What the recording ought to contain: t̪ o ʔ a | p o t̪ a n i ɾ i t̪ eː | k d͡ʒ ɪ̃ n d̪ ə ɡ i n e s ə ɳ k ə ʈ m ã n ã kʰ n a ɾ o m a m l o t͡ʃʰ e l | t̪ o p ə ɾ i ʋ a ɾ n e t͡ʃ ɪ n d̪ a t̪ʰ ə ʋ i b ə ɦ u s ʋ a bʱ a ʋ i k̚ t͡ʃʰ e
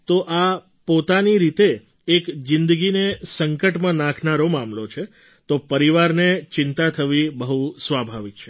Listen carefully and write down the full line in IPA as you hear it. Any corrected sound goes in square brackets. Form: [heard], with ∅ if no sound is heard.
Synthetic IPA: t̪ o ʔ a | p o t̪ a n i ɾ i t̪ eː | k d͡ʒ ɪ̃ n d̪ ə ɡ i n e s ə [ŋ] k ə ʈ m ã n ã kʰ n a ɾ o m a m l o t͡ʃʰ e [∅] | t̪ o p ə ɾ i ʋ a ɾ n e t͡ʃ ɪ n [t̪] a t̪ʰ ə ʋ i b ə ɦ u s ʋ a bʱ a ʋ i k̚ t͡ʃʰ e

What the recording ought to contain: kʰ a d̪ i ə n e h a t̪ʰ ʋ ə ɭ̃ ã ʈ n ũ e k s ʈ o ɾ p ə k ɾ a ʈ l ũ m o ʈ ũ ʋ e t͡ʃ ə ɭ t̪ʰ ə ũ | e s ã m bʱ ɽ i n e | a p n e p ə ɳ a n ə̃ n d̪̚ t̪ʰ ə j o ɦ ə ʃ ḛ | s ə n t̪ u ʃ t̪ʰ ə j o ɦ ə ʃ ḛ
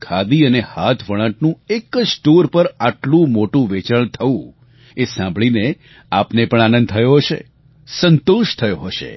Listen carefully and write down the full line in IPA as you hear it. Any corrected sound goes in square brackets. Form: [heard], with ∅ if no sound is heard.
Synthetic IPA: kʰ a d̪ i ə n e h a t̪ʰ ʋ ə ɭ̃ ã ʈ n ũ e k s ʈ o ɾ p ə [∅] ɾ a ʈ l ũ m o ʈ ũ ʋ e t͡ʃ ə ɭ t̪ʰ ə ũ | e s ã m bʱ [ɭ] i n e | a p n e p ə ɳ a n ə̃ n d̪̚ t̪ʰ ə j o ɦ ə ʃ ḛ | s ə n t̪ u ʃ t̪ʰ ə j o ɦ ə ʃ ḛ

